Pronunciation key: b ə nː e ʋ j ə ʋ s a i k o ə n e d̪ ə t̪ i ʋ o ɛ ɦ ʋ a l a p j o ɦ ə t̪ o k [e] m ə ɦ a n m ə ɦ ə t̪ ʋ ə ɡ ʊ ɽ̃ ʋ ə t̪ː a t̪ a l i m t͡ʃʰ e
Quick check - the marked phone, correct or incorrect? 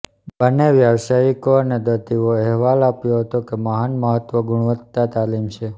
correct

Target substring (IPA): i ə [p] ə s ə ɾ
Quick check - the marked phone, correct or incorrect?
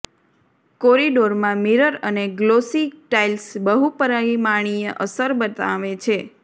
incorrect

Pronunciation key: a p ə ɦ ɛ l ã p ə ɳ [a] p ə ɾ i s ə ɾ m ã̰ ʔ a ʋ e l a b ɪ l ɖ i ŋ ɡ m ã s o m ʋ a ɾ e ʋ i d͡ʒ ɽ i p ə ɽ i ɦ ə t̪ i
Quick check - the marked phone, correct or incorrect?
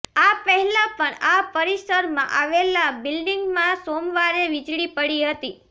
correct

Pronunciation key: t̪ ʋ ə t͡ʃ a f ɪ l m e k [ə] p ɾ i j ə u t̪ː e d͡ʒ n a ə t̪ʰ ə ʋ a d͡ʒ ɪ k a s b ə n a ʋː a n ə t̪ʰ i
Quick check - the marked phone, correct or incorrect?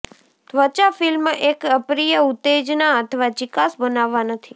correct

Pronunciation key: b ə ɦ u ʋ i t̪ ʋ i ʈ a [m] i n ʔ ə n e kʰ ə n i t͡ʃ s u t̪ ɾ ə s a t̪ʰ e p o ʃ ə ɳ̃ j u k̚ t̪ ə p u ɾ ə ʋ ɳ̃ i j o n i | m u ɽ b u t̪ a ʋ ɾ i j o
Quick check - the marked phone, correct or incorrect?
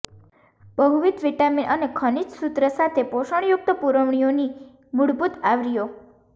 correct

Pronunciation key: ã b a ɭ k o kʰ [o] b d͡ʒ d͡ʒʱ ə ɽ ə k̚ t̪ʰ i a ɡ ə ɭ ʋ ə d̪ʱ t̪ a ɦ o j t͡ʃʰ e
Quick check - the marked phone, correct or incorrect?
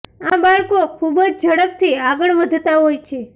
incorrect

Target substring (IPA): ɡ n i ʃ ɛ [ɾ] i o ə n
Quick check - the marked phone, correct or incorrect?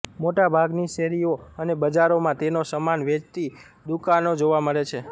correct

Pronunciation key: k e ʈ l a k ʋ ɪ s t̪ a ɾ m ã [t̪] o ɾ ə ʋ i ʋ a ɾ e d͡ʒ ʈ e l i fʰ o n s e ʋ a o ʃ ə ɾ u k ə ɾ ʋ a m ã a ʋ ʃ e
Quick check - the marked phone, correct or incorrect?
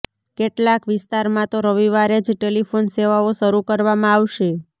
correct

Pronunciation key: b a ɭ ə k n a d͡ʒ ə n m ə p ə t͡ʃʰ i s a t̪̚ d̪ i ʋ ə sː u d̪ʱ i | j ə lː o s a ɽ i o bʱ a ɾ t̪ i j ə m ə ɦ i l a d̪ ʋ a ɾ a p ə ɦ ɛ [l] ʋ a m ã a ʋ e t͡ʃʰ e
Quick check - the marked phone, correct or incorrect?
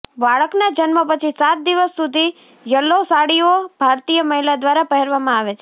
incorrect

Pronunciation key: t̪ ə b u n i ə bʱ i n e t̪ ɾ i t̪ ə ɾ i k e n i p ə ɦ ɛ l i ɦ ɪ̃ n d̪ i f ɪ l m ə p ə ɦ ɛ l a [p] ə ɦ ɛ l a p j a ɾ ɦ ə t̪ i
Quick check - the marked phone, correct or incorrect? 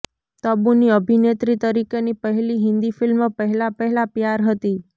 correct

